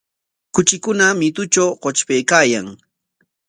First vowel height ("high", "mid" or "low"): high